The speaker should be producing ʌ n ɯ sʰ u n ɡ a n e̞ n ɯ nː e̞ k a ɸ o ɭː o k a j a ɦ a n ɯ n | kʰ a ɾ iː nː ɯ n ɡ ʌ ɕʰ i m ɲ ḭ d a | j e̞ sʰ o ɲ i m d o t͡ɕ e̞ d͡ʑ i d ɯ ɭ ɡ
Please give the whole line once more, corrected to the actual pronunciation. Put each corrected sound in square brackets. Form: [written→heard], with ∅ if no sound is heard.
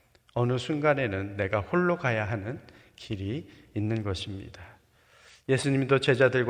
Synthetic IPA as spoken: ʌ n ɯ sʰ u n ɡ a n e̞ n ɯ nː e̞ [k→ɡ] a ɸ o ɭː o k a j a ɦ a n ɯ n | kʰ [a→i] ɾ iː nː ɯ n ɡ ʌ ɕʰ i m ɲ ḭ d a | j e̞ sʰ [o→u] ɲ i m d o t͡ɕ e̞ d͡ʑ [i→a] d ɯ ɭ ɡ